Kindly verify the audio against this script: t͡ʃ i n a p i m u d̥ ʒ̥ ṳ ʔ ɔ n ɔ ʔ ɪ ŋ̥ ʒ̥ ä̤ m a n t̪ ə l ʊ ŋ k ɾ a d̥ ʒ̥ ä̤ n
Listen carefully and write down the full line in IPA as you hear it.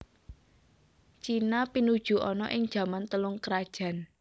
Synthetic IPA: t͡ʃ i n a p i n u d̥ ʒ̥ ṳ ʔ ɔ n ɔ ʔ ɪ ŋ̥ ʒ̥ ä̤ m a n t̪ ə l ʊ ŋ k ɾ a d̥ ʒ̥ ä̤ n